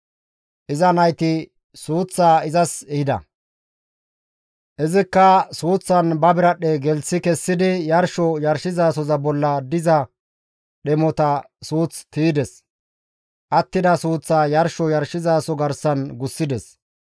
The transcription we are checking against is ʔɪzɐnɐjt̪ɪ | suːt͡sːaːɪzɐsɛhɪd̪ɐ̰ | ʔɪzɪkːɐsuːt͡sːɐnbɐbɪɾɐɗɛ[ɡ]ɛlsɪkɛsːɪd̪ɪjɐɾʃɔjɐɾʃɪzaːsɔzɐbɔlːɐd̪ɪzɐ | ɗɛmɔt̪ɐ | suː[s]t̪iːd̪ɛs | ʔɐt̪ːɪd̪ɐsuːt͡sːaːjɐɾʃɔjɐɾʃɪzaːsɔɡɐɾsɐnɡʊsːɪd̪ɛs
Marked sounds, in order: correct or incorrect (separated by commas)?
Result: correct, incorrect